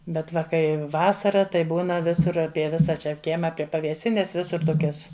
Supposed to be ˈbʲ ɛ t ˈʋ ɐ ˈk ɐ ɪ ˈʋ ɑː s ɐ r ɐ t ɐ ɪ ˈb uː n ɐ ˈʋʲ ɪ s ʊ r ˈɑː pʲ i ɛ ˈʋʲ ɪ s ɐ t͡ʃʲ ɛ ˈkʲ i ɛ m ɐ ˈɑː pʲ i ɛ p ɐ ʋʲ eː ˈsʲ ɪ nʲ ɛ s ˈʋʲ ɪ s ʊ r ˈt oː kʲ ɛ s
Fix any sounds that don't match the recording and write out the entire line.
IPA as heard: ˈbʲ ɛ t ˈʋ ɐ ˈk ɐ ɪ ˈʋ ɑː s ɐ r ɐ t ɐ ɪ ˈb uː n ɐ ˈʋʲ ɪ s ʊ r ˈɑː pʲ i ɛ ˈʋʲ ɪ s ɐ t͡ʃʲ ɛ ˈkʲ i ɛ m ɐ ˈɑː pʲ i ɛ p ɐ ʋʲ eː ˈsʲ ɪ nʲ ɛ s ˈʋʲ ɪ s ʊ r ˈt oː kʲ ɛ s